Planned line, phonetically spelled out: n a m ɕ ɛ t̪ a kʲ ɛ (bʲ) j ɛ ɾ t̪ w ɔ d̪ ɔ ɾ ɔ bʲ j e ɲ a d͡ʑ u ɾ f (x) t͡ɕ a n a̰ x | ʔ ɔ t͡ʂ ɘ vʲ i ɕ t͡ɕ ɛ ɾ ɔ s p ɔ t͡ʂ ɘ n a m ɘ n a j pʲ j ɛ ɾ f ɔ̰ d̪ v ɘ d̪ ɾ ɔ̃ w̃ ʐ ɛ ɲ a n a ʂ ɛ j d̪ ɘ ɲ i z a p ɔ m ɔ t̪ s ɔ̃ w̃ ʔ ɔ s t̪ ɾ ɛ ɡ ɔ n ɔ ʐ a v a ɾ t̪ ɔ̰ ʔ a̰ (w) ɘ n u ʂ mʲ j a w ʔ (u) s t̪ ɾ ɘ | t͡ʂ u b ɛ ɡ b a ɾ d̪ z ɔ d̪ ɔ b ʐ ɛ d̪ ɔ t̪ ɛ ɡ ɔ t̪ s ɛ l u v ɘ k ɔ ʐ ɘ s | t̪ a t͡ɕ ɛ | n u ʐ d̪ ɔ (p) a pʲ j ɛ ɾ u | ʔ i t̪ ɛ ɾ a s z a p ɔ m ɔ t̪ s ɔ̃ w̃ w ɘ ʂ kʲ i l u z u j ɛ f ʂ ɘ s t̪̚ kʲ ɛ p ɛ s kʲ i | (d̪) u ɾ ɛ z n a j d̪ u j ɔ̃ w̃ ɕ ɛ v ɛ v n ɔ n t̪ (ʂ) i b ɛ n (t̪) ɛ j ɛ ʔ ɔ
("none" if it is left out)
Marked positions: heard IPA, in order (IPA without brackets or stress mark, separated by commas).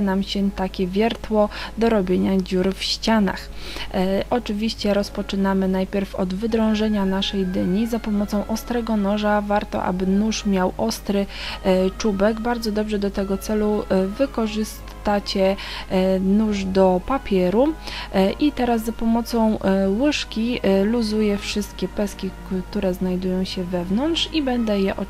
vʲ, ɕ, b, ɔ, p, t̪, ʂ, d̪